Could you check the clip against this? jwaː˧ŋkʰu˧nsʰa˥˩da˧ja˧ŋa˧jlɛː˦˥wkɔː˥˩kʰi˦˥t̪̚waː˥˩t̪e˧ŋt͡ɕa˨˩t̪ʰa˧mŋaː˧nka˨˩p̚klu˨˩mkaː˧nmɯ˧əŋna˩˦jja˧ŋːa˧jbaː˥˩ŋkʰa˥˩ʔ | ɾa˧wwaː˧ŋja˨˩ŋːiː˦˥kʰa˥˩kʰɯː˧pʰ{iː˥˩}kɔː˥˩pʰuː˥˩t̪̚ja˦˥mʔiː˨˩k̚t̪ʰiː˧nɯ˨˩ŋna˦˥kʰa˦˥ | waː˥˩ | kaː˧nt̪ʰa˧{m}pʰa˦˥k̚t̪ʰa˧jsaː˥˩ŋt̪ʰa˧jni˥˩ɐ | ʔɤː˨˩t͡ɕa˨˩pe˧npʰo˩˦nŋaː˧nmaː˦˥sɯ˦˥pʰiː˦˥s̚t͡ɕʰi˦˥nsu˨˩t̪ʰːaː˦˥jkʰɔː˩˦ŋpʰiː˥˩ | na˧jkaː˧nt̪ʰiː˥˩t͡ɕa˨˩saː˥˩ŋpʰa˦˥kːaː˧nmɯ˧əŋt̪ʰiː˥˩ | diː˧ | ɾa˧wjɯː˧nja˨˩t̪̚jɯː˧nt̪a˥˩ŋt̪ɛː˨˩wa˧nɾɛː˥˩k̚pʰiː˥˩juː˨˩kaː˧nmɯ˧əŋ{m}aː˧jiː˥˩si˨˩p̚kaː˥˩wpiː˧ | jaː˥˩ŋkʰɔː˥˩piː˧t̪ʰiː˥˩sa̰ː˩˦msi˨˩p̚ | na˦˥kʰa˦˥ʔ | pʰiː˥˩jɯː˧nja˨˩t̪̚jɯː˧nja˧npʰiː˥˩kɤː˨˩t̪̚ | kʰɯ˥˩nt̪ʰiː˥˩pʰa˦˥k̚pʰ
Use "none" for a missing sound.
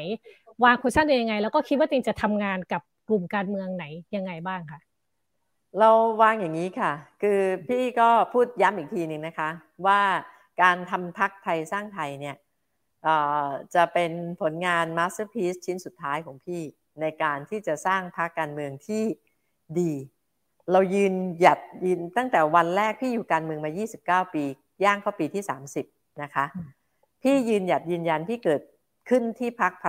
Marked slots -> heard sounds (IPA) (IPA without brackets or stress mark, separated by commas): iː˥˩, m, m